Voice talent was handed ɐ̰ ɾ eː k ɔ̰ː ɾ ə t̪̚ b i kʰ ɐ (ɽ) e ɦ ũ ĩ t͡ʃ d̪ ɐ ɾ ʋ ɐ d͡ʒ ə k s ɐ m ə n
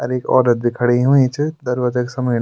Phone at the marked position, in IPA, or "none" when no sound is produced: ɽ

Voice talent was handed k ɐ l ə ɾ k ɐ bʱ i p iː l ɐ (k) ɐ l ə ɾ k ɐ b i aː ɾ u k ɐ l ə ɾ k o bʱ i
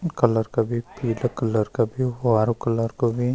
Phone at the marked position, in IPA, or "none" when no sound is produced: k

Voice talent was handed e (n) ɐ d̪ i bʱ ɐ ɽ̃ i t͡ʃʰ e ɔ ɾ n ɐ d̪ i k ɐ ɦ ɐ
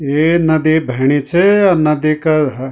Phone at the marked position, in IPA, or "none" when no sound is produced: n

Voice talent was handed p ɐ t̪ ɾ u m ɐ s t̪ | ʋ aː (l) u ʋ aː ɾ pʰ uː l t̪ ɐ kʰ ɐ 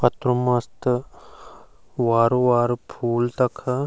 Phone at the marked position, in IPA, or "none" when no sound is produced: ɾ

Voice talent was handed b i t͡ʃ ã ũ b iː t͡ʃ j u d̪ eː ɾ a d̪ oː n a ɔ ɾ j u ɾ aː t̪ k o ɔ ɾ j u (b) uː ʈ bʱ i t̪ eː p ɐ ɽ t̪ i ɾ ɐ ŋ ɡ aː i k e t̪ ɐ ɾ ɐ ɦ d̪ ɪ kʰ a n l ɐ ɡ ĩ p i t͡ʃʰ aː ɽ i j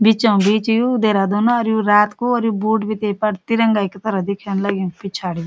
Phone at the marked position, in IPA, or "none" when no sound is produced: b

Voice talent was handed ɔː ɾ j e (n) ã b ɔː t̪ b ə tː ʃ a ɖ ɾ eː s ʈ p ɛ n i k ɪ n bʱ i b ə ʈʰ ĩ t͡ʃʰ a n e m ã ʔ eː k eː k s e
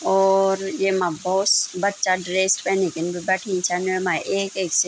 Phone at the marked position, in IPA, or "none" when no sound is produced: m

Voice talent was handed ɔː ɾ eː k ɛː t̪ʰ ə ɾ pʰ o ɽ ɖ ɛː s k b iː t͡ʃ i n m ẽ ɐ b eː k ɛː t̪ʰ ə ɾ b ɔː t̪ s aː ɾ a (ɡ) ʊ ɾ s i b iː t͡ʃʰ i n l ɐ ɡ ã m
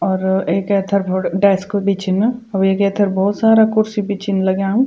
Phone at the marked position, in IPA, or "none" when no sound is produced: k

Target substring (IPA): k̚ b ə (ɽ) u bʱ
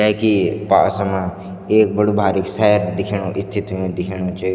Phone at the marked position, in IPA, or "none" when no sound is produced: ɽ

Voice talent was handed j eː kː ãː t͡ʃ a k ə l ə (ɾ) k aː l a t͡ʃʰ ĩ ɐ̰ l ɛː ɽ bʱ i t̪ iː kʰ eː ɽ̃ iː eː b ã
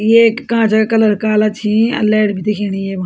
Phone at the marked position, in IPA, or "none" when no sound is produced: ɾ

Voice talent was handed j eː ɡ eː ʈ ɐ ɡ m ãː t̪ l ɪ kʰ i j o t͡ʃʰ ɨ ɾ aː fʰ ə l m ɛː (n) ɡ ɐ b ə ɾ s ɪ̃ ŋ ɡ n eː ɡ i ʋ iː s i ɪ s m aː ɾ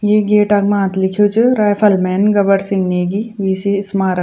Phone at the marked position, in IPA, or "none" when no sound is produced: n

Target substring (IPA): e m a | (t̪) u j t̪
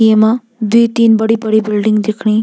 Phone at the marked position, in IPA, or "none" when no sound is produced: d̪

